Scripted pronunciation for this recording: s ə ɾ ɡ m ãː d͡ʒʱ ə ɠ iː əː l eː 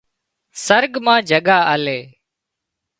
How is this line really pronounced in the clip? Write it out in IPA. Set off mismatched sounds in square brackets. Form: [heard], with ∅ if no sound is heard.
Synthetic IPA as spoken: s ə ɾ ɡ m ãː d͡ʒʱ ə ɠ [aː] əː l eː